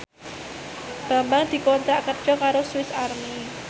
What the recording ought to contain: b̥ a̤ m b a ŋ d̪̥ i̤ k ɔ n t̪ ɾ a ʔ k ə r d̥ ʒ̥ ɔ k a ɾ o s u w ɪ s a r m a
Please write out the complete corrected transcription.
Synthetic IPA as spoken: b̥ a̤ m b a ŋ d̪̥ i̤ k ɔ n t̪ ɾ a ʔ k ə r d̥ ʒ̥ ɔ k a ɾ o s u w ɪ s a r m i